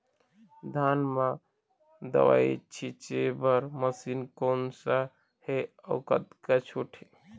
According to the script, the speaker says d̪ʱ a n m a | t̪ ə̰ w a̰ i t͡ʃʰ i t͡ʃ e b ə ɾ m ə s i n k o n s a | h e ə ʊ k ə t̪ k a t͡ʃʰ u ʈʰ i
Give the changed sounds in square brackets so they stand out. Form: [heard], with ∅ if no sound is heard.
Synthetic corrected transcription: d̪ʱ a n m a | [d̪] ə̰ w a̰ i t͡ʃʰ i t͡ʃ e b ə ɾ m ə s i n k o n s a | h e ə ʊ k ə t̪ k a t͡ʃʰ u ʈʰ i